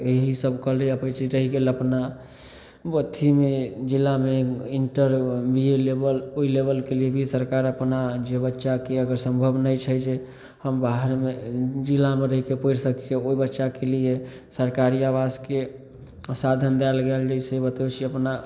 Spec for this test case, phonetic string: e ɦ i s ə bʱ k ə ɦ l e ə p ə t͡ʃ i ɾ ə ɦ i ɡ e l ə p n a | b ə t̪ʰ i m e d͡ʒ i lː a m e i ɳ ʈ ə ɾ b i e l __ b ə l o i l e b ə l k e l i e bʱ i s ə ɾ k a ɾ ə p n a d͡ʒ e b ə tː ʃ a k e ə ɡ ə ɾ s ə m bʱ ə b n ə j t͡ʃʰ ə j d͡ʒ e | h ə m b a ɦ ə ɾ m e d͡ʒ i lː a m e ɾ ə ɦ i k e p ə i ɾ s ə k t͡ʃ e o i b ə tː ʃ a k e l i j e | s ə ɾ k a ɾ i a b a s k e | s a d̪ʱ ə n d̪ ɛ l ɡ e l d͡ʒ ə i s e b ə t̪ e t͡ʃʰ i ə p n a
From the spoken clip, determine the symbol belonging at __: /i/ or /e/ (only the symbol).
e